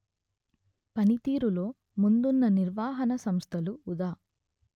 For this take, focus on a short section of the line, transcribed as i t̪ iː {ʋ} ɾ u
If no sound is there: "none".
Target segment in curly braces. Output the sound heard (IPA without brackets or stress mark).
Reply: none